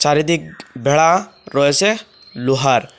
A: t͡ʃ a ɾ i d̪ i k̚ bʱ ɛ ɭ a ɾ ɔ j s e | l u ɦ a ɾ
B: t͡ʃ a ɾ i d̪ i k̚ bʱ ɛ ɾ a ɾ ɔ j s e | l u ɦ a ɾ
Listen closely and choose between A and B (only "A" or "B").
A